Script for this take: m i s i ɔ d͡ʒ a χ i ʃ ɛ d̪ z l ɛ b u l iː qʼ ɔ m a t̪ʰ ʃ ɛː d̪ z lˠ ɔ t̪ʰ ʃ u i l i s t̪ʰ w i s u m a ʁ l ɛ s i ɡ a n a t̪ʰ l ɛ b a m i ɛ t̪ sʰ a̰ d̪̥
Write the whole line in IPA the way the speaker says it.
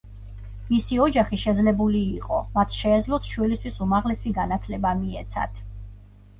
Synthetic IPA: m i s i ɔ d͡ʒ a χ i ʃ ɛ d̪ z l ɛ b u l iː qʼ ɔ m a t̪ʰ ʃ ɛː d̪ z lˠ ɔ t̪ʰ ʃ w i l i s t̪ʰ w i s u m a ʁ l ɛ s i ɡ a n a t̪ʰ l ɛ b a m i ɛ t̪ sʰ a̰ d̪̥